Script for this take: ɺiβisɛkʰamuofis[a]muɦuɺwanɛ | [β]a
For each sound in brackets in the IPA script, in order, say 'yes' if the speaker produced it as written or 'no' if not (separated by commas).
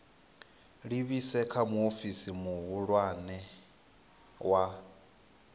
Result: no, no